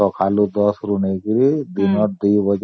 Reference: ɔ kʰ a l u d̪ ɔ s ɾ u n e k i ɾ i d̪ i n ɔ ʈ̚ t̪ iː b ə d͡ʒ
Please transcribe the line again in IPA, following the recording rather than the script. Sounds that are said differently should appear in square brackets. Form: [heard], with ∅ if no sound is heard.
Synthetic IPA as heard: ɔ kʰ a l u d̪ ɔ s ɾ u n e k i ɾ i d̪ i n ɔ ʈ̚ [d̪] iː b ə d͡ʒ